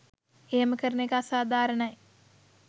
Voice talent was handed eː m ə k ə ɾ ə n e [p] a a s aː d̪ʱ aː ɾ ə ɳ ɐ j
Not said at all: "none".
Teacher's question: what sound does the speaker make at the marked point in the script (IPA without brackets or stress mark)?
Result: k